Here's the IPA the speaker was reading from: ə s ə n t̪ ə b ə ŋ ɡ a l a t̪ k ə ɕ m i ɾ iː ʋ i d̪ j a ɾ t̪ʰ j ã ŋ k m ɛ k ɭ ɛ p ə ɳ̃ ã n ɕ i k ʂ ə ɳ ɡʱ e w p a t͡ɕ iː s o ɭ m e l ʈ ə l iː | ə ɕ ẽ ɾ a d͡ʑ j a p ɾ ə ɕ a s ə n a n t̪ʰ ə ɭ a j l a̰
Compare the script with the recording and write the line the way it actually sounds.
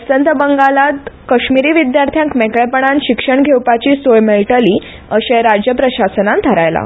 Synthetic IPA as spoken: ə s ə n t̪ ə b ə ŋ ɡ a l a t̪ k ə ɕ m i ɾ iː ʋ i d̪ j a ɾ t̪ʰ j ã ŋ k m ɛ k ɭ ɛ p ə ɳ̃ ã n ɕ i k ʂ ə ɳ ɡʱ e w p a t͡ɕ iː s o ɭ m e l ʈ ə l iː | ə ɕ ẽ ɾ a d͡ʑ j ə p ɾ ə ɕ a s ə n a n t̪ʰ ə ɾ a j l a̰